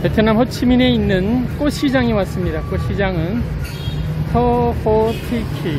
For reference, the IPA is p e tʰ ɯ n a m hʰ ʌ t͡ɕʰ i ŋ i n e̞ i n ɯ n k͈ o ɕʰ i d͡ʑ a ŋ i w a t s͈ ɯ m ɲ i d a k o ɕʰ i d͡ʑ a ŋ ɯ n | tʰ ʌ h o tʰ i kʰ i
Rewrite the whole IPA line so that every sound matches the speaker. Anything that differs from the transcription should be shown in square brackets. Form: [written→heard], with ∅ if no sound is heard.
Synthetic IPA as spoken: p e tʰ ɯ n a m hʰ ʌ t͡ɕʰ i [ŋ→m] i n e̞ i [n→nː] ɯ n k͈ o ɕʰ i d͡ʑ a ŋ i w a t s͈ ɯ m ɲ i d a k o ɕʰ i d͡ʑ a ŋ ɯ n | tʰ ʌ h o tʰ i kʰ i